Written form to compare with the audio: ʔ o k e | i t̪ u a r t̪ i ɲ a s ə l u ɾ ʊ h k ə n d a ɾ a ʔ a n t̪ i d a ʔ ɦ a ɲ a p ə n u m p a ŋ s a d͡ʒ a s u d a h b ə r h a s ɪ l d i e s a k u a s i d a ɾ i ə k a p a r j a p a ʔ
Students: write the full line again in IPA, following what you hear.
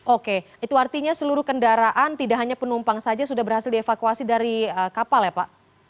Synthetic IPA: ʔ o k e | i t̪ u a r t̪ i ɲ a s ə l u ɾ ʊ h k ə n d a ɾ a ʔ a n t̪ i d a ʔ ɦ a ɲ a p ə n u m p a ŋ s a d͡ʒ a s u d a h b ə r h a s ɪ l d i e f a k u a s i d a ɾ i ə k a p a l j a p a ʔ